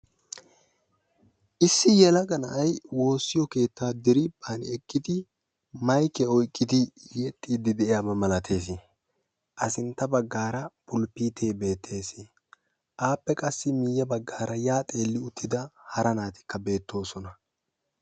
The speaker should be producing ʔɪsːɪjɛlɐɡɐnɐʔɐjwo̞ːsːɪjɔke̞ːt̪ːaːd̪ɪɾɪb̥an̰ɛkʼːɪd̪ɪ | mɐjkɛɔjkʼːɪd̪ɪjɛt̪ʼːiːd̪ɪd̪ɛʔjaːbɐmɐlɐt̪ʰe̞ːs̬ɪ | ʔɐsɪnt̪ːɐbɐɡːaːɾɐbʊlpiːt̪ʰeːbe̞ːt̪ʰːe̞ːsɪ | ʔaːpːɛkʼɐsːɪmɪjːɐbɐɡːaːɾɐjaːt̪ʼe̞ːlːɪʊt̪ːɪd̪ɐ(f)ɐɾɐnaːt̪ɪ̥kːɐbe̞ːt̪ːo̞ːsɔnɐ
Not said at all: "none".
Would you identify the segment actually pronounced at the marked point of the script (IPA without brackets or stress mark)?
h